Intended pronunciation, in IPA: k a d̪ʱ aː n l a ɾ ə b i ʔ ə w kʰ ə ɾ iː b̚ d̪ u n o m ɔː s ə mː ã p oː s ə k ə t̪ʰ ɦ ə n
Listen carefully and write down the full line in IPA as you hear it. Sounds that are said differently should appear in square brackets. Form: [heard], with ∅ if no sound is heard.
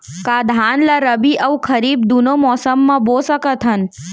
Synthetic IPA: k a d̪ʱ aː n l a ɾ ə b i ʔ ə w kʰ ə ɾ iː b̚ d̪ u n o m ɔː s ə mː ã [b] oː s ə k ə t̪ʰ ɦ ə n